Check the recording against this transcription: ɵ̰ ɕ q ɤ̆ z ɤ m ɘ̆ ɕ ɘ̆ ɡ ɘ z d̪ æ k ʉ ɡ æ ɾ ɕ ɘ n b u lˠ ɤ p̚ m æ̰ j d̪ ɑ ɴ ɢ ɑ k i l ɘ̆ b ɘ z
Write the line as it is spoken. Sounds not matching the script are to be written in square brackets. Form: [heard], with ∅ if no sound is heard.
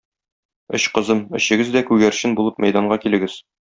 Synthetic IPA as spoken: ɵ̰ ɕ q ɤ̆ z ɤ m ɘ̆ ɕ ɘ̆ ɡ ɘ z d̪ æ k ʉ ɡ æ ɾ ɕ ɘ n b u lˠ ɤ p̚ m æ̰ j d̪ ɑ ɴ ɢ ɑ k i l ɘ̆ [ɡ] ɘ z

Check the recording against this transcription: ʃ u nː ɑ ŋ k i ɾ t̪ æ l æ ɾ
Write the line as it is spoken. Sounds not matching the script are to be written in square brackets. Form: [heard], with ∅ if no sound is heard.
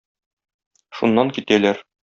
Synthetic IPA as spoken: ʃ u nː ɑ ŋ k i [∅] t̪ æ l æ ɾ

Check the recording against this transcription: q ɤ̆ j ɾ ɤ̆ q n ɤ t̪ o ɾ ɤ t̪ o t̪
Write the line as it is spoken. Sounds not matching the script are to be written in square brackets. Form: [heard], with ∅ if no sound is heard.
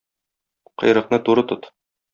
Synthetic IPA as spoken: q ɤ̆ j ɾ ɤ̆ q n ɤ t̪ [u] ɾ ɤ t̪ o t̪

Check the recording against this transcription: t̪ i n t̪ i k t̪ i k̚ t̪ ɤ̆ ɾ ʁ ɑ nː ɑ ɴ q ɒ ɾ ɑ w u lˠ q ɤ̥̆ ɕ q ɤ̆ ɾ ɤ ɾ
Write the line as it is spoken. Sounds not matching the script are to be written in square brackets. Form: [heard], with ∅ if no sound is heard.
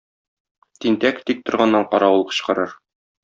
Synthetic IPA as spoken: t̪ i n t̪ [æ] k t̪ i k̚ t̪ [ŏ] ɾ ʁ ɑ nː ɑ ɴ q ɒ ɾ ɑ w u lˠ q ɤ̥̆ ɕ q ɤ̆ ɾ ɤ ɾ

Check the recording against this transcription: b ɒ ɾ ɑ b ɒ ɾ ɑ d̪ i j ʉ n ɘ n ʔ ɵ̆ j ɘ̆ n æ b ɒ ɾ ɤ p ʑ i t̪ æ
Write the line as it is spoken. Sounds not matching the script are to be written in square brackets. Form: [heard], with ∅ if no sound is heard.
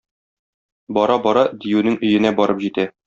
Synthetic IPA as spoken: b ɒ ɾ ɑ b ɒ ɾ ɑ d̪ i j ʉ n ɘ [ŋ] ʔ ɵ̆ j ɘ̆ n æ b ɒ ɾ ɤ p ʑ i t̪ æ

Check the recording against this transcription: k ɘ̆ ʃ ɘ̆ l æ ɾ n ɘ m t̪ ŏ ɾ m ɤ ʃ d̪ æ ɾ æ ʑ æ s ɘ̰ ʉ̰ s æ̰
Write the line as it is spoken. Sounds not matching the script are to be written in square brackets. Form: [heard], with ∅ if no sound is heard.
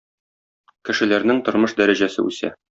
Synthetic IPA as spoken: k ɘ̆ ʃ ɘ̆ l æ ɾ n ɘ [ŋ] t̪ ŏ ɾ m ɤ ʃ d̪ æ ɾ æ ʑ æ s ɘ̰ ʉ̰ s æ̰

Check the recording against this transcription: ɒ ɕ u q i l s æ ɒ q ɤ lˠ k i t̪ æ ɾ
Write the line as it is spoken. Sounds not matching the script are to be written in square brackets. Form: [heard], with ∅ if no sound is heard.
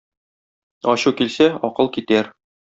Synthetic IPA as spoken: ɒ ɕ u [k] i l s æ ɒ q ɤ lˠ k i t̪ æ ɾ

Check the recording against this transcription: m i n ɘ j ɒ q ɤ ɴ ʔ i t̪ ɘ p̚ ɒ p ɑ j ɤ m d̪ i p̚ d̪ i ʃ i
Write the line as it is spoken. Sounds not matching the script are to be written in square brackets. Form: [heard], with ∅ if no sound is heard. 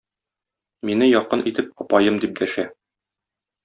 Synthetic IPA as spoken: m i n ɘ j ɒ q ɤ [n] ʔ i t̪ ɘ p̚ ɒ p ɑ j ɤ m d̪ i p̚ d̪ [æ] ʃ [æ]

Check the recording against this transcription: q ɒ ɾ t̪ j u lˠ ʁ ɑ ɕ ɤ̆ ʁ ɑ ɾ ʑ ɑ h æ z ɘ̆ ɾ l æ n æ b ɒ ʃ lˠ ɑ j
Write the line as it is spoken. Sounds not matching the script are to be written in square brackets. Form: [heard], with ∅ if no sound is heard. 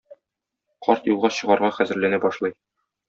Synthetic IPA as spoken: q ɒ ɾ t̪ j u lˠ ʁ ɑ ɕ ɤ̆ ʁ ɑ ɾ [ʁ] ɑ [χ] æ z ɘ̆ ɾ l æ n æ b ɒ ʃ lˠ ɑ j

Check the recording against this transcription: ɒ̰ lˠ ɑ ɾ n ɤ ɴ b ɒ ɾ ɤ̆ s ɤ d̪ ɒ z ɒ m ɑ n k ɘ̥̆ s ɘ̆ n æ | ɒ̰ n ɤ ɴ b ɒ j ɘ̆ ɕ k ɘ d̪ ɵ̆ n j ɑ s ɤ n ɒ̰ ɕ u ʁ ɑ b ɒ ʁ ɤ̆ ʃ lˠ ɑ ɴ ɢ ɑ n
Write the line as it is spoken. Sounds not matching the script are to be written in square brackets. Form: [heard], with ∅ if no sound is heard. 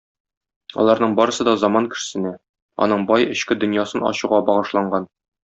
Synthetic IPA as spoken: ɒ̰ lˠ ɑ ɾ n ɤ ɴ b ɒ ɾ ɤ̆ s ɤ d̪ ɒ z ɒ m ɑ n k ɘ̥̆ s ɘ̆ n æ | ɒ̰ n ɤ ɴ b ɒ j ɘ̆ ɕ k ɘ d̪ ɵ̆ n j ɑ s ɤ n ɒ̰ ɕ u ʁ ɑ b ɒ ʁ ɤ̆ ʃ lˠ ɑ ɴ ɢ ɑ n

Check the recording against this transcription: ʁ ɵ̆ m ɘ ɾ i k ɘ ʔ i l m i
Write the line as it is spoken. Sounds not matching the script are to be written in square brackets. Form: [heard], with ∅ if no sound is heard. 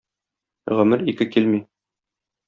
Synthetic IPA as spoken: ʁ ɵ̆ m ɘ ɾ i k ɘ [k] i l m i

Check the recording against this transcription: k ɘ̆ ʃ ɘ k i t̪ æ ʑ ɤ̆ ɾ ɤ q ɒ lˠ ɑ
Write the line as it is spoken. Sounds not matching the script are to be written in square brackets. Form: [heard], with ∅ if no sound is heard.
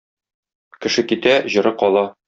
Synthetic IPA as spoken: k ɘ̆ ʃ ɘ k i t̪ æ ʑ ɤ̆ ɾ ɤ q ɒ lˠ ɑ

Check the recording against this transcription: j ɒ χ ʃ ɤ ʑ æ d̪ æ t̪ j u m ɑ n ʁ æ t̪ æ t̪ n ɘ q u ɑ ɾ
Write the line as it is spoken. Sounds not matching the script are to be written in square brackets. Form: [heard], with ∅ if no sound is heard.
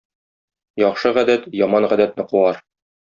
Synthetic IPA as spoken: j ɒ χ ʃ ɤ [ʁ] æ d̪ æ t̪ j [ɒ] m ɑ n ʁ æ [d̪] æ t̪ n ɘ q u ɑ ɾ

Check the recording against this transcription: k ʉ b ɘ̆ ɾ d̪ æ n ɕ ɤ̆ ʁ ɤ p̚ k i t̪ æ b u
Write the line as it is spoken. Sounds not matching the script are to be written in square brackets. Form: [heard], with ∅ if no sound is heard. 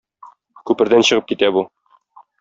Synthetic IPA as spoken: k ʉ [p] ɘ̆ ɾ d̪ æ n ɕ ɤ̆ ʁ ɤ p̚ k i t̪ æ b u

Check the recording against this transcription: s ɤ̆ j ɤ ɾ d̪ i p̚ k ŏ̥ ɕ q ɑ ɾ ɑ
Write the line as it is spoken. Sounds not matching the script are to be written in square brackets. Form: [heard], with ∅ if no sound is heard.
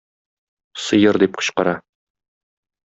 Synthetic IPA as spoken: s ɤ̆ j ɤ ɾ d̪ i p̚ [q] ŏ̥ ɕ q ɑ ɾ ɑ

